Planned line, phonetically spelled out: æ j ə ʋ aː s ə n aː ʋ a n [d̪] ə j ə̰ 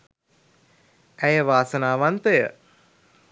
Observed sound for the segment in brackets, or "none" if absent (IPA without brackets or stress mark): t̪